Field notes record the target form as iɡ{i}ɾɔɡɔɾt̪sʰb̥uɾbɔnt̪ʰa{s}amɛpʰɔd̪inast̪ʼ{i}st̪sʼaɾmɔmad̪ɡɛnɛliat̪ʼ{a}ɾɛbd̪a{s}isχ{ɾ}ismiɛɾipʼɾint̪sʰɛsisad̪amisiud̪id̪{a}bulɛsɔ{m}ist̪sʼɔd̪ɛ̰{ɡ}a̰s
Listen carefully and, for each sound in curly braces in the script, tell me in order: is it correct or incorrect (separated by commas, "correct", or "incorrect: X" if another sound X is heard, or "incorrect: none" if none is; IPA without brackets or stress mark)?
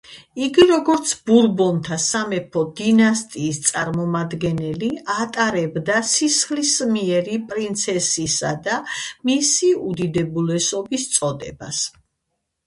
correct, correct, incorrect: iː, correct, correct, incorrect: l, incorrect: ɛ, incorrect: b, incorrect: b